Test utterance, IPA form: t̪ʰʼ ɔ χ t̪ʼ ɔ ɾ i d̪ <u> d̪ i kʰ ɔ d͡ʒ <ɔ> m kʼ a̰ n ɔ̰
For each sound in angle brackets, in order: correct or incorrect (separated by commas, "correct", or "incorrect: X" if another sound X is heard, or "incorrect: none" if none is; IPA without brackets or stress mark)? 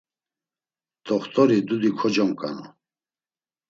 correct, correct